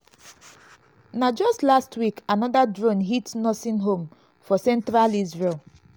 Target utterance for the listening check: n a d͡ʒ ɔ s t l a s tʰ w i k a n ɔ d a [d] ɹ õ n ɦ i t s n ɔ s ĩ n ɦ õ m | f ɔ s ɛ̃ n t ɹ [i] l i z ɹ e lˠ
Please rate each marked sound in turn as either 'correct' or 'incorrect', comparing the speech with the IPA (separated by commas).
correct, incorrect